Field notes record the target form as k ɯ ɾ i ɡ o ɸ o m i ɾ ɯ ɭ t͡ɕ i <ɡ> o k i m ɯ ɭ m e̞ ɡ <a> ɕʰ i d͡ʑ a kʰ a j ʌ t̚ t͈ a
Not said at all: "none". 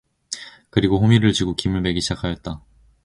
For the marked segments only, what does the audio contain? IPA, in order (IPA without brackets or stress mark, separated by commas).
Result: ɡ, i